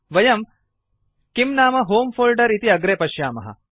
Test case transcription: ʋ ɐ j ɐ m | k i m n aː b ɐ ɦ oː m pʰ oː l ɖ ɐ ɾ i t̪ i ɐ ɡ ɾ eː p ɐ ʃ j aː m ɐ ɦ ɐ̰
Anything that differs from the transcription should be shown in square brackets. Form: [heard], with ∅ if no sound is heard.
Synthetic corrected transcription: ʋ ɐ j ɐ m | k i m n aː [m] ɐ ɦ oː m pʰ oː l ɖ ɐ ɾ i t̪ i ɐ ɡ ɾ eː p ɐ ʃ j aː m ɐ ɦ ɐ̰